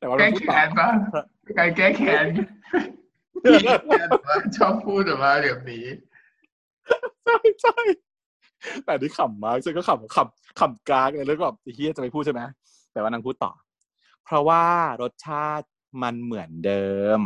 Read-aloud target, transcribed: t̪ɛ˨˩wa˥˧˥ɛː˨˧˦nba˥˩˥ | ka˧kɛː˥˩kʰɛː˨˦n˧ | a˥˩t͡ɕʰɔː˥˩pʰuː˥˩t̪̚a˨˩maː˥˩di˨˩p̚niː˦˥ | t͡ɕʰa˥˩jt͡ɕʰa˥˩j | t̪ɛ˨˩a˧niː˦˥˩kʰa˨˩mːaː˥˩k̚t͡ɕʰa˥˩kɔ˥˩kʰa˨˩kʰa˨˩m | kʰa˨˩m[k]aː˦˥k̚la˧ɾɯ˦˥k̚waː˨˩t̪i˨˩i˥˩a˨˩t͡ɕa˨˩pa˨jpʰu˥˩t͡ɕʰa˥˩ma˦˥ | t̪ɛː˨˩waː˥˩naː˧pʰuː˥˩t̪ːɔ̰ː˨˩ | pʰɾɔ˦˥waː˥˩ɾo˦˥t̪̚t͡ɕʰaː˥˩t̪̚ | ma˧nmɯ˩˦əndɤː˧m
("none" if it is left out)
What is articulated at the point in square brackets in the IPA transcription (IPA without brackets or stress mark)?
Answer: k